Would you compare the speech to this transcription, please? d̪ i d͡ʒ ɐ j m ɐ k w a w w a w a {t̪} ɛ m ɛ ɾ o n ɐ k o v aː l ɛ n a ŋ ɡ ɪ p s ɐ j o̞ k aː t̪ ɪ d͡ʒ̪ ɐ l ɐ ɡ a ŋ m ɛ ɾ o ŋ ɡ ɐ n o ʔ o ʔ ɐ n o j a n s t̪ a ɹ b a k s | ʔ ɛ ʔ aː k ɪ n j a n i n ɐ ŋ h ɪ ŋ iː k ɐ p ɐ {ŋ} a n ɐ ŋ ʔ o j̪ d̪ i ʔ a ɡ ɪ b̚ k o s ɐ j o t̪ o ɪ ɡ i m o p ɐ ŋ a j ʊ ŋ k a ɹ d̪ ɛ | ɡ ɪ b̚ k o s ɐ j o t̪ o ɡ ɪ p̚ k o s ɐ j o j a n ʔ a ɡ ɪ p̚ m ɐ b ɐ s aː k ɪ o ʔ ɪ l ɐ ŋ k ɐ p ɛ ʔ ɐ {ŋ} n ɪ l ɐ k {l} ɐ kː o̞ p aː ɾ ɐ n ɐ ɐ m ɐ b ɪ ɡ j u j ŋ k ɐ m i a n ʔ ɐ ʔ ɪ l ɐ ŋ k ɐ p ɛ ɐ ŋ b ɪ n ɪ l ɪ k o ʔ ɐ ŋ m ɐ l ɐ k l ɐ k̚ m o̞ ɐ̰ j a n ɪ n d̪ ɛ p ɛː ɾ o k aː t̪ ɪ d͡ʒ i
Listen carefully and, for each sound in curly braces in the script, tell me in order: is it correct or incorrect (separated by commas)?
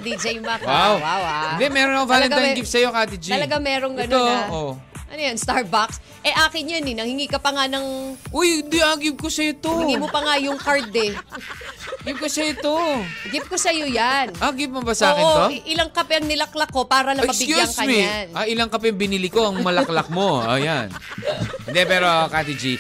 incorrect, correct, correct, correct